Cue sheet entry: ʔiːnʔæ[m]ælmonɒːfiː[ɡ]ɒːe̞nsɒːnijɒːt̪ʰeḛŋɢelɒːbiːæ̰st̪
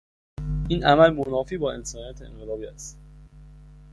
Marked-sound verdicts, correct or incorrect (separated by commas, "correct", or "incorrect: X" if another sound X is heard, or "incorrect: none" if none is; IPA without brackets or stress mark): correct, incorrect: b